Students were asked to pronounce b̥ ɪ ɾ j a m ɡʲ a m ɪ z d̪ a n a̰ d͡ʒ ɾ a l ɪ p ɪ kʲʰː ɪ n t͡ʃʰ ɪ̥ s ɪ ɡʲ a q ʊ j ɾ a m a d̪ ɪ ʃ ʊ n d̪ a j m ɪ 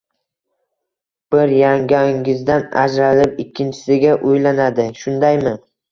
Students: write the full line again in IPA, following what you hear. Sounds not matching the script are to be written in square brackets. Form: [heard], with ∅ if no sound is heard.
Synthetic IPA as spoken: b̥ ɪ ɾ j a [ŋ] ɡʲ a [ŋ] ɪ z d̪ a n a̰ d͡ʒ ɾ a l ɪ p ɪ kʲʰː ɪ n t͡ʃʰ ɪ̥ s ɪ ɡʲ a [ʔ] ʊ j [l] a [n] a d̪ ɪ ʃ ʊ n d̪ a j m ɪ